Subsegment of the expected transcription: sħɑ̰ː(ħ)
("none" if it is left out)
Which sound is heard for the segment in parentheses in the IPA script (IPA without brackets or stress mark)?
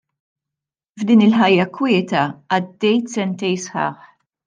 ħ